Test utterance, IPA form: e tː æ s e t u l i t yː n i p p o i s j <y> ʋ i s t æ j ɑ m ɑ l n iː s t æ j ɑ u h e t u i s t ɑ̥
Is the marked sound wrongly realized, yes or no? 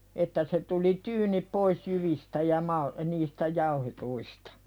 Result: no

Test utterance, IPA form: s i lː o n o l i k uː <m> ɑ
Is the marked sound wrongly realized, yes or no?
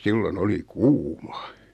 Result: no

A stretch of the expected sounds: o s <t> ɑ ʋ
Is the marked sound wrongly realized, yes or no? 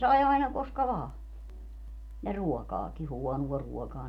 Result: yes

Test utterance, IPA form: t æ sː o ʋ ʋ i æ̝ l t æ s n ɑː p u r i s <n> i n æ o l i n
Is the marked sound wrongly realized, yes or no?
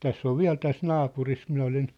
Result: yes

